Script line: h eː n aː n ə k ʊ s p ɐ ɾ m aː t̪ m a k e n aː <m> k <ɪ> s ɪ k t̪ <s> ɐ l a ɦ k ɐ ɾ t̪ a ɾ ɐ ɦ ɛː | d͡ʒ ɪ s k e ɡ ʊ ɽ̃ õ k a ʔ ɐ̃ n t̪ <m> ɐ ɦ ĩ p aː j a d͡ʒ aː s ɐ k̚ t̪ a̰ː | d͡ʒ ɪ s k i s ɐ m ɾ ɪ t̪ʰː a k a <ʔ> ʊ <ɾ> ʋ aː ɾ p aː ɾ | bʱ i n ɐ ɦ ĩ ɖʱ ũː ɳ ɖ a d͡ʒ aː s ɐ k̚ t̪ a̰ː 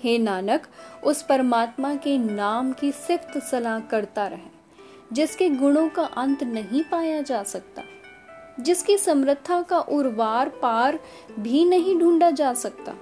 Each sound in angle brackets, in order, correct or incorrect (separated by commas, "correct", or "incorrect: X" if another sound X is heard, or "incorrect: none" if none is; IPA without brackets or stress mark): correct, incorrect: i, correct, incorrect: n, correct, correct